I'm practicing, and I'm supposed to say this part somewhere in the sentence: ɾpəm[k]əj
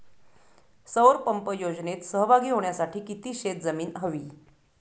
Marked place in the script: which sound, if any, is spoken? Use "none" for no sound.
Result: p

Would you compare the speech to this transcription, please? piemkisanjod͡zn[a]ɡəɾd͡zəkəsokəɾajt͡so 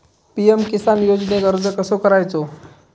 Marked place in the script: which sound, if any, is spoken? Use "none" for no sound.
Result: e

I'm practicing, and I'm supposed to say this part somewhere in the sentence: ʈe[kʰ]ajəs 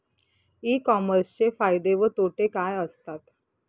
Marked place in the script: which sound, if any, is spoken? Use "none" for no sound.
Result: k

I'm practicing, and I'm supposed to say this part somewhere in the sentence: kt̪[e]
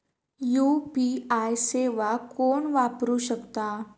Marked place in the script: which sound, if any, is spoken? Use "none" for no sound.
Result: a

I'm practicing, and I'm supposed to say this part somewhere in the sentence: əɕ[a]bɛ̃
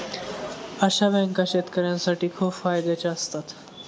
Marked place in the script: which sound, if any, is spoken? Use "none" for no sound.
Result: a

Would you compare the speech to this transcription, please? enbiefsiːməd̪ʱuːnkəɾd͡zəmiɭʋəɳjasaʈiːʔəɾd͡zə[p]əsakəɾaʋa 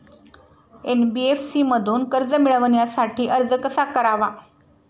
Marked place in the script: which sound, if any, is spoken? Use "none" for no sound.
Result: k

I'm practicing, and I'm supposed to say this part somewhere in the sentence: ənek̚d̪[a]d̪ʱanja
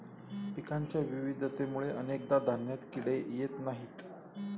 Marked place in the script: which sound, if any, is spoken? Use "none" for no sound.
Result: a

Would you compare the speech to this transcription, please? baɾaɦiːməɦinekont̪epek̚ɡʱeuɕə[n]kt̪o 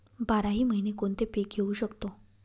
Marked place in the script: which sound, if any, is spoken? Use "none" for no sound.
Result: none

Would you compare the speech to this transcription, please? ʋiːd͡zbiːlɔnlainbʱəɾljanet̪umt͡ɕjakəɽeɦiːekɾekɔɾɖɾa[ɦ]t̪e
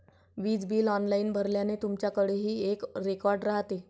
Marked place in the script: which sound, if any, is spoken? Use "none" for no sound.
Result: ɦ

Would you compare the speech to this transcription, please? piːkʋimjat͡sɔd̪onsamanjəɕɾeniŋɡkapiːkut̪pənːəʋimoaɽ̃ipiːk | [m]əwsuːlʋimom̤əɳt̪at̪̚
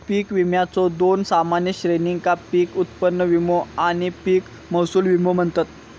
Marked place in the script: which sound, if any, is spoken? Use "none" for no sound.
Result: m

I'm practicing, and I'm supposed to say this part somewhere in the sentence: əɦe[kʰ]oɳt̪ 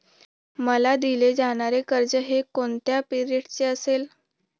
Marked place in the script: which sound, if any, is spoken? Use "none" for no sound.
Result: k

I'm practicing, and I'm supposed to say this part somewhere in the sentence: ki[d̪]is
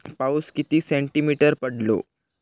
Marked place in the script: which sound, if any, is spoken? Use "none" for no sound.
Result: t̪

